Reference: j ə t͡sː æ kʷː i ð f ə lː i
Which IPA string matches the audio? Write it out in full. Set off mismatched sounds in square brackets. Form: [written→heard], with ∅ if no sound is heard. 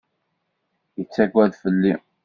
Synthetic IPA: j ə t͡sː æ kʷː [i→æ] ð f ə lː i